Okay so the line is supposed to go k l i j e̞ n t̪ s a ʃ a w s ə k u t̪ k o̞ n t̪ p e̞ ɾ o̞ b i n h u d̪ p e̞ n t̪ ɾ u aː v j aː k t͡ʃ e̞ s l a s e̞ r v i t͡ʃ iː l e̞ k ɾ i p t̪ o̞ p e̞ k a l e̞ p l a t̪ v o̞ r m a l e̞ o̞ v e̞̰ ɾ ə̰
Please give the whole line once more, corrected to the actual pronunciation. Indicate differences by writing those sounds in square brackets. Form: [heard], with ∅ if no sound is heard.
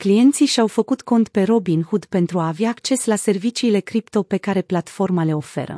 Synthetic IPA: k l i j e̞ n t̪ s [i] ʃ a w [f] ə k u t̪ k o̞ n t̪ p e̞ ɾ o̞ b i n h u d̪ p e̞ n t̪ ɾ u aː v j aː k t͡ʃ e̞ s l a s e̞ r v i t͡ʃ iː l e̞ k ɾ i p t̪ o̞ p e̞ k a [ɾ] e̞ p l a t̪ [f] o̞ r m a l e̞ o̞ [f] e̞̰ ɾ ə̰